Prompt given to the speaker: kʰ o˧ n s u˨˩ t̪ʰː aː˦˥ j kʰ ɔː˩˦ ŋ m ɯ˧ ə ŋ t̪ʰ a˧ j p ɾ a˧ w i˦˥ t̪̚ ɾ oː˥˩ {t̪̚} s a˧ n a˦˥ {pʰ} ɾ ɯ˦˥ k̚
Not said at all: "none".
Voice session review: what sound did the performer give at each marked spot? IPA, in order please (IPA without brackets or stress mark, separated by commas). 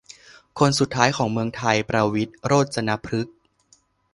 t̪̚, pʰ